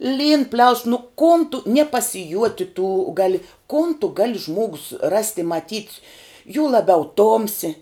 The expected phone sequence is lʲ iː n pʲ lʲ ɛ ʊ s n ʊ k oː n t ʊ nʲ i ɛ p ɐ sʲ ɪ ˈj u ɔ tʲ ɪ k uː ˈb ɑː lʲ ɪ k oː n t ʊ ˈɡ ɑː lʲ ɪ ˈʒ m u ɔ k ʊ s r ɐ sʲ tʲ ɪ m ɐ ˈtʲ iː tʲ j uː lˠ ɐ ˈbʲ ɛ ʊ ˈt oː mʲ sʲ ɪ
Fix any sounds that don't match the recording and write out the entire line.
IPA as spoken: lʲ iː n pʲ lʲ ɛ ʊ s n ʊ k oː n t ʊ nʲ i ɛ p ɐ sʲ ɪ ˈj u ɔ tʲ ɪ t uː ˈɡ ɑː lʲ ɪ k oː n t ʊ ˈɡ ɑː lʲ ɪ ˈʒ m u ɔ ɡ ʊ s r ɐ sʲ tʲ ɪ m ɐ ˈtʲ iː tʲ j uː lˠ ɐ ˈbʲ ɛ ʊ ˈt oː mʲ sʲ ɪ